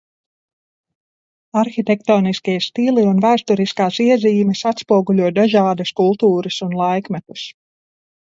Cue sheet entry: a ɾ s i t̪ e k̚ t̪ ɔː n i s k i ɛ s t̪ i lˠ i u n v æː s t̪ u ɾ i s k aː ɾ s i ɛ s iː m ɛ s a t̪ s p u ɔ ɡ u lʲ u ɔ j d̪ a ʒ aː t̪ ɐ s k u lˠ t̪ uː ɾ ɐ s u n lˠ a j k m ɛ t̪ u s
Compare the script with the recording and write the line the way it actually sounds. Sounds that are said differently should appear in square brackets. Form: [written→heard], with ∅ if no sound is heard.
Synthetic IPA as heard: a ɾ [s→x] i t̪ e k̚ t̪ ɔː n i s k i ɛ s t̪ i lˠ i u n v æː s t̪ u ɾ i s k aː [ɾ→∅] s i ɛ [s→z] iː m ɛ s a t̪ s p u ɔ ɡ u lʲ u ɔ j d̪ a ʒ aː [t̪→d̪] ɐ s k u lˠ t̪ uː ɾ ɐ s u n lˠ a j k m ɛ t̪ u s